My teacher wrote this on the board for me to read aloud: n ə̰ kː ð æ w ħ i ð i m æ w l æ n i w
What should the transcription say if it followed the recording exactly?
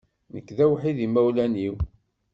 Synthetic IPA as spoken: n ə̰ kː ð æ w ħ i ð i m æ w l æ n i w